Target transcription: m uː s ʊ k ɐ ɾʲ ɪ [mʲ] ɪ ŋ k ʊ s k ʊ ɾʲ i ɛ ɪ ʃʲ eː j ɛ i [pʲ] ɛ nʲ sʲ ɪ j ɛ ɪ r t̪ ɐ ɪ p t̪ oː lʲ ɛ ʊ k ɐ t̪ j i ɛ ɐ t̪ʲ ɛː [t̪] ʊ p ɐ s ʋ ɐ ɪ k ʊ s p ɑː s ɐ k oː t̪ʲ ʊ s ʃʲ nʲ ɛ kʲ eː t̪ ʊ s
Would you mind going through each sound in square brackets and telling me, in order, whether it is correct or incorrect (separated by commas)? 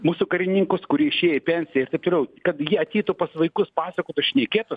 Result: incorrect, correct, correct